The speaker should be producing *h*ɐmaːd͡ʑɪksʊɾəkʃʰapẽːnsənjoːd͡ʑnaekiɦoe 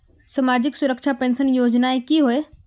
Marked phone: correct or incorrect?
incorrect